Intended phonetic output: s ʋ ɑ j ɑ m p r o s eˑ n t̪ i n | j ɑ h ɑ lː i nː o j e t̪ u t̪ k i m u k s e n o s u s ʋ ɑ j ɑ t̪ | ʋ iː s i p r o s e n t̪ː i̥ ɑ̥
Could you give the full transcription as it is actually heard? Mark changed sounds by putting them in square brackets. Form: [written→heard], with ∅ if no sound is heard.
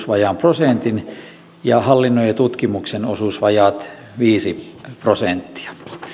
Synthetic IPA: s ʋ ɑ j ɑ m p r o s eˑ n t̪ i n | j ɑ h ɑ lː i nː o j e t̪ u t̪ k i m u k s e n o s u s ʋ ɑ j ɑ t̪ | ʋ iː s i p r o s e n t̪ː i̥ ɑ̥